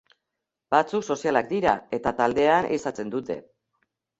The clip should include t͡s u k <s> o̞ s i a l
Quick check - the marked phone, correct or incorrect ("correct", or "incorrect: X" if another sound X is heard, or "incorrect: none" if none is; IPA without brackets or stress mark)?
correct